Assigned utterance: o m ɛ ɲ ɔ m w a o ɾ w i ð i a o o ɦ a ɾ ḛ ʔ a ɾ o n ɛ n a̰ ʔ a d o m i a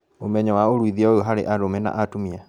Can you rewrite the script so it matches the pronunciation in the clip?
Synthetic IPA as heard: o m ɛ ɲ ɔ w a o ɾ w i ð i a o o ɦ a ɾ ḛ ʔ a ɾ o m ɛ n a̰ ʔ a t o m i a